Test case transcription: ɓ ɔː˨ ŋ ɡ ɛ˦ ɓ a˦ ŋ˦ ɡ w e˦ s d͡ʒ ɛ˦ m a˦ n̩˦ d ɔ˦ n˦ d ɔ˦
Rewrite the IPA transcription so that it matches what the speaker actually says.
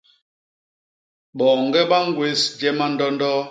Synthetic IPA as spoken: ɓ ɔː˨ ŋ ɡ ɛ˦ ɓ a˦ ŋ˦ ɡ w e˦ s d͡ʒ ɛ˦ m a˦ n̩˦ d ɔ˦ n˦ d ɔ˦